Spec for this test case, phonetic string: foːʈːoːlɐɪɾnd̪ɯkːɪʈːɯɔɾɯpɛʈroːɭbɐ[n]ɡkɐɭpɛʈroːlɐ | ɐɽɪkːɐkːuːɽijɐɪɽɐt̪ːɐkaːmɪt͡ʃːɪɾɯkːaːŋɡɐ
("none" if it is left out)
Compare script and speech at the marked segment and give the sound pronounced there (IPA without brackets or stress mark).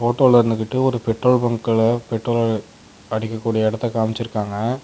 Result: ŋ